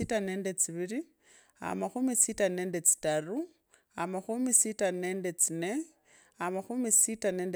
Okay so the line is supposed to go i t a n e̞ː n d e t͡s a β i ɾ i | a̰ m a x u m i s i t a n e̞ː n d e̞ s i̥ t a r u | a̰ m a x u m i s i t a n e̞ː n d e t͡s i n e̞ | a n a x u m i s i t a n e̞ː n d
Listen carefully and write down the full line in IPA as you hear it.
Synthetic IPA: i t a n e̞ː n d e t͡s i β i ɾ i | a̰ m a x u m i s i t a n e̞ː n d e̞ t͡s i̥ t a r u | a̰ m a x u m i s i t a n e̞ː n d e t͡s i n e̞ | a m a x u m i s i t a n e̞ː n d